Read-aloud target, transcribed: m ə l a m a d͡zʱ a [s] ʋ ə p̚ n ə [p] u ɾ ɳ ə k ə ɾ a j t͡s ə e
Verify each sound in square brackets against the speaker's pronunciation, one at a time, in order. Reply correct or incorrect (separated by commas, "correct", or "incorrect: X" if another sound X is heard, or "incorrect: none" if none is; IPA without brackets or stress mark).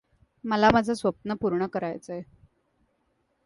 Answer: correct, correct